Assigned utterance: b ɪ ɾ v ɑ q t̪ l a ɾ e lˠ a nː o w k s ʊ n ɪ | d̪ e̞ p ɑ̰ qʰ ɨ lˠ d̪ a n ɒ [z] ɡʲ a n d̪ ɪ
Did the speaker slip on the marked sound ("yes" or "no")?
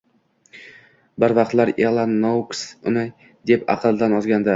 no